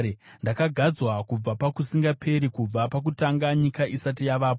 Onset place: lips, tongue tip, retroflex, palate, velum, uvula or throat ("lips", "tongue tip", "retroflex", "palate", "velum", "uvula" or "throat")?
tongue tip